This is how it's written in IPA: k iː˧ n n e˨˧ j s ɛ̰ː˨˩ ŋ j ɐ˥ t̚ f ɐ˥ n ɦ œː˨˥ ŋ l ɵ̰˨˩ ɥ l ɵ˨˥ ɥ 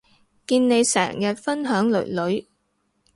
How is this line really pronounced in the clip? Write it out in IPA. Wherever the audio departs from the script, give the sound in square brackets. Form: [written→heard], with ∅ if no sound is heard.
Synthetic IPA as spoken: k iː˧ n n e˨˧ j s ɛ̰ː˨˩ ŋ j [ɐ˥→ɐ˨] t̚ f ɐ˥ n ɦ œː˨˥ ŋ l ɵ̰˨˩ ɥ l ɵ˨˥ ɥ